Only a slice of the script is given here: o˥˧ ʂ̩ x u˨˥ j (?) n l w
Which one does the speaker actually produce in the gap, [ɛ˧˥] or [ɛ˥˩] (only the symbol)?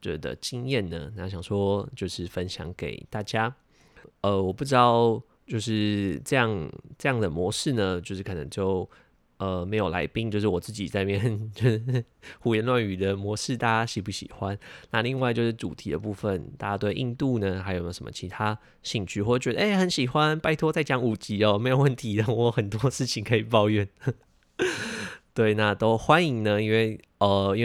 ɛ˧˥